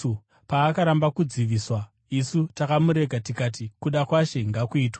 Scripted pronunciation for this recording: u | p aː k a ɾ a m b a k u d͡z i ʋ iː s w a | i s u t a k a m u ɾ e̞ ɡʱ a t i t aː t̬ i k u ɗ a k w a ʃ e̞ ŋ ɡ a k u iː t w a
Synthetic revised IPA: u | p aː k a ɾ a m b a k u d͡z i ʋ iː s w a | i s u t a k a m u ɾ e̞ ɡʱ a t i k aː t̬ i k u ɗ a k w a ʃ e̞ ŋ ɡ a k u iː t w a